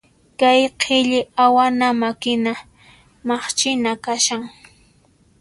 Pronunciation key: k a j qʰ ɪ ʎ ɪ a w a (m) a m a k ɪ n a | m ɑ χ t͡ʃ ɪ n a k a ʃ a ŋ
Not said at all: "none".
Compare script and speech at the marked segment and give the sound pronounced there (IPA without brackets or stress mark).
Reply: n